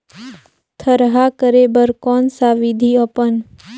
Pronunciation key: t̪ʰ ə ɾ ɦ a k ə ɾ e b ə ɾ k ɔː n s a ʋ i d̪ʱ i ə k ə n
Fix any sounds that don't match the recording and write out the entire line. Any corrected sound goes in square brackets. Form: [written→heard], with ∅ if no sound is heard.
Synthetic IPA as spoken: t̪ʰ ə ɾ ɦ a k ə ɾ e b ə ɾ k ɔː n s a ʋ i d̪ʱ i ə [k→p] ə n

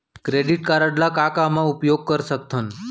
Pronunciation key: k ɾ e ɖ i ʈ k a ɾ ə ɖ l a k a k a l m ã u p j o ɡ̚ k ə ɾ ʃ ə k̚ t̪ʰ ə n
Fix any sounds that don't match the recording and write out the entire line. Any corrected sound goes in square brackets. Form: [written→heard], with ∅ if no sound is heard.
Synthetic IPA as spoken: k ɾ e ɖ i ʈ k a ɾ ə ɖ l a k a k a [l→∅] m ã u p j o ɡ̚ k ə ɾ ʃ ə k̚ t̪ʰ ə n

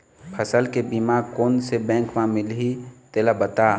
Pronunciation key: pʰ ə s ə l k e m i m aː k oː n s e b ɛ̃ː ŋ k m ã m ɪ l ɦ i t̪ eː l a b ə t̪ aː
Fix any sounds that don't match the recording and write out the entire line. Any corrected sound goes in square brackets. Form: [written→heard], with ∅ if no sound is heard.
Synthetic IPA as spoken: pʰ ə s ə l k e [m→b] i m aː k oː n s e b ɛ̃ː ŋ k m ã m ɪ l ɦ i t̪ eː l a b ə t̪ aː

